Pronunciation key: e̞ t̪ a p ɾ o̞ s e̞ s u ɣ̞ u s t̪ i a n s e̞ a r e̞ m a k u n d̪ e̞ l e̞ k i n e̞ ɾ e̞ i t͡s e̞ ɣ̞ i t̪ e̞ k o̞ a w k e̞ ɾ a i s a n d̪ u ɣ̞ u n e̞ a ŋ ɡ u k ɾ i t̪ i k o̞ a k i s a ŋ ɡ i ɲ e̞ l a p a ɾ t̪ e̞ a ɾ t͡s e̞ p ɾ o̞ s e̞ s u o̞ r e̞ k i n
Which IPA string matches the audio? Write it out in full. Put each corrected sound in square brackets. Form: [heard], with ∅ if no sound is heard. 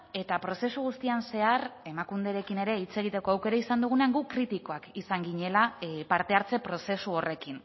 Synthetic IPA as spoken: e̞ t̪ a p ɾ o̞ s e̞ s u ɣ̞ u s t̪ i a n s e̞ a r e̞ m a k u n d̪ e̞ [ɾ] e̞ k i n e̞ ɾ e̞ i t͡s e̞ ɣ̞ i t̪ e̞ k o̞ a w k e̞ ɾ a i s a n d̪ u ɣ̞ u n e̞ a ŋ ɡ u k ɾ i t̪ i k o̞ a k i s a ŋ ɡ i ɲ e̞ l a p a ɾ t̪ e̞ a ɾ t͡s e̞ p ɾ o̞ s e̞ s u o̞ r e̞ k i n